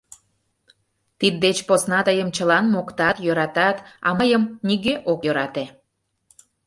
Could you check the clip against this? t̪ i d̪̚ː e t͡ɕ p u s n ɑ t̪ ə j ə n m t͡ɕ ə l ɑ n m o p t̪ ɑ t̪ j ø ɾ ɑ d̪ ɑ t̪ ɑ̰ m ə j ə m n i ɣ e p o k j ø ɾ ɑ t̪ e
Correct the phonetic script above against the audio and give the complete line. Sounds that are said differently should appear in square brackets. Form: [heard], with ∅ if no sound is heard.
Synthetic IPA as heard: t̪ i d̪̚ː e t͡ɕ p [o] s n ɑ t̪ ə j ə [∅] m t͡ɕ ə l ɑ n m o [k] t̪ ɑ t̪ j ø ɾ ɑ [t̪] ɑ t̪ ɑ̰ m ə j ə m n i ɣ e [ʔ] o k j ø ɾ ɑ t̪ e